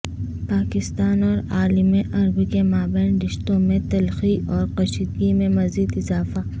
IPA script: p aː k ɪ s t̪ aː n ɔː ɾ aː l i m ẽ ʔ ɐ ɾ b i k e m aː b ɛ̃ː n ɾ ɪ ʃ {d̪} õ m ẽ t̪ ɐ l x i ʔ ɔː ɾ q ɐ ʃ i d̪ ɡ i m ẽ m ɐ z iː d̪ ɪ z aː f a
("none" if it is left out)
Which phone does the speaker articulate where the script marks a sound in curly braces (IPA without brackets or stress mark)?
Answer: t̪